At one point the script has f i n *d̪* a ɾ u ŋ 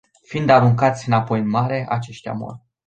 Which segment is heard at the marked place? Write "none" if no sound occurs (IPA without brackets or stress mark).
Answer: d̪